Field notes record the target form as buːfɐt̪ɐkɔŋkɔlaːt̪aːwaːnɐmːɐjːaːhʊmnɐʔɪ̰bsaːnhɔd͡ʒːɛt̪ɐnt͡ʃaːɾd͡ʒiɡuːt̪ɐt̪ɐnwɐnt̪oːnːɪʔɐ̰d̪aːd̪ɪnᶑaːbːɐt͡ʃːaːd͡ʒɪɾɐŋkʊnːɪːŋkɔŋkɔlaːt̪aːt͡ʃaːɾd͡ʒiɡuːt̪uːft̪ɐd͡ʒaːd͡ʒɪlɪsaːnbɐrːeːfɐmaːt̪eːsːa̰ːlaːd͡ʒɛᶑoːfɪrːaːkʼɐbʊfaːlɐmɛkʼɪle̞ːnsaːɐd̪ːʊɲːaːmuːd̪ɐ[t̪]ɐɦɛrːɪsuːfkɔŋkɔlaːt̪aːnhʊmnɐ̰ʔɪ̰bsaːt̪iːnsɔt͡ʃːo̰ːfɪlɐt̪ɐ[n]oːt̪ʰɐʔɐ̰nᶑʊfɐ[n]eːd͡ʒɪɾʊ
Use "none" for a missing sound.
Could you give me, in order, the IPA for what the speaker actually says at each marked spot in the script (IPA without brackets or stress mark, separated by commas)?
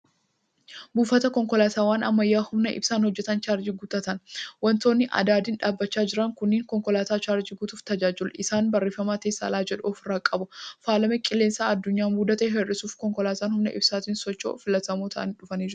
t̪, m, n